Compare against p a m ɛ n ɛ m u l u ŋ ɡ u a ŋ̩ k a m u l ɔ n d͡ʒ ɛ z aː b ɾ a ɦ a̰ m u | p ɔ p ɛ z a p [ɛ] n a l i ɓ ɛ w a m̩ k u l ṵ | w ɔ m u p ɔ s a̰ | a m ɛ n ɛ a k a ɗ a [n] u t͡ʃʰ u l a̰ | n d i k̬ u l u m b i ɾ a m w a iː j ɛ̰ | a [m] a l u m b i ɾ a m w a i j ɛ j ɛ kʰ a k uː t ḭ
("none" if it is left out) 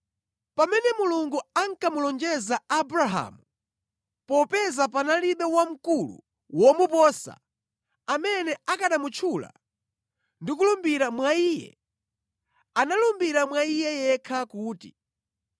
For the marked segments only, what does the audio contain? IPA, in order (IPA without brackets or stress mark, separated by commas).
a, m, n